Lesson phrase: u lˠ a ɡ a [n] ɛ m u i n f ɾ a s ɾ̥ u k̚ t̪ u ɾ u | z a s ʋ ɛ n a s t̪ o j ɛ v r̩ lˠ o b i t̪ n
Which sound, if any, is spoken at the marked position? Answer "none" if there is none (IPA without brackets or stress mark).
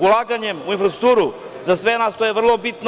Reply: ɲ